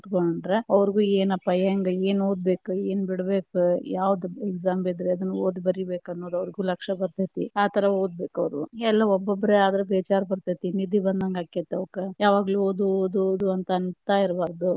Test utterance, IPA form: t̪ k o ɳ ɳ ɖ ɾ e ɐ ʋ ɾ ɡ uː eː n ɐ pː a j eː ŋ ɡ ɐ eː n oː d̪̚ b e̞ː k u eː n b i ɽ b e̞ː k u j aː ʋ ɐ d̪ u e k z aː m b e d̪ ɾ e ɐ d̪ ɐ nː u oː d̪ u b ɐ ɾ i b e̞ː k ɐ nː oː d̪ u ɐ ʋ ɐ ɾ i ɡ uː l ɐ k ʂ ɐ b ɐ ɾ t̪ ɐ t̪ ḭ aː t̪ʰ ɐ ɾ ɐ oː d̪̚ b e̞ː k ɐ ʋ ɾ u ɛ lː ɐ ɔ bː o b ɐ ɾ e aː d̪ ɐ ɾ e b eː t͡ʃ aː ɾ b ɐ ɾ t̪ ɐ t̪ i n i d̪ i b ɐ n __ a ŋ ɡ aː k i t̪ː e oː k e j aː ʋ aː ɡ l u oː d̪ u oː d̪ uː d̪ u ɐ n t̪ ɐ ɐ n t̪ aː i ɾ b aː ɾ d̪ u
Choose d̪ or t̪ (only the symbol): d̪